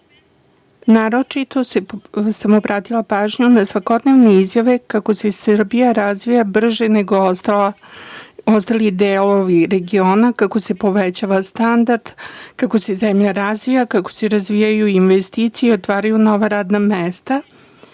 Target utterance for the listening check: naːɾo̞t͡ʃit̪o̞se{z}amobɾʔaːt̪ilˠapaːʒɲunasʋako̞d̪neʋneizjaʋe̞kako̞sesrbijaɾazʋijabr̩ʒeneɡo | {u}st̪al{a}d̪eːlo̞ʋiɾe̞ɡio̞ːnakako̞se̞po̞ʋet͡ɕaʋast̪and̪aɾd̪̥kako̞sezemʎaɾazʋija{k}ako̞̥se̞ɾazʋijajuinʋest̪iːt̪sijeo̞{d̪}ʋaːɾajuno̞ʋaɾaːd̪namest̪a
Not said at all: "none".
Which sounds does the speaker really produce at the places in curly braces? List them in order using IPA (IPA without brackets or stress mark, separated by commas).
s, o, i, k, t̪